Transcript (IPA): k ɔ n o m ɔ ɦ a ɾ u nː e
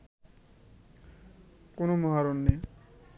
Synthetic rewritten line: k o n o m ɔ ɦ a ɾ o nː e